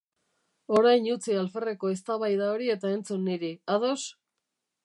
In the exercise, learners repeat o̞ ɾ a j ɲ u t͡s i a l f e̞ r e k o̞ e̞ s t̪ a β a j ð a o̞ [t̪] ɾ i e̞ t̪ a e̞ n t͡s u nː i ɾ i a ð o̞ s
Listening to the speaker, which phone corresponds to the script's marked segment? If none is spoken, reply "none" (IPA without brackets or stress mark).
none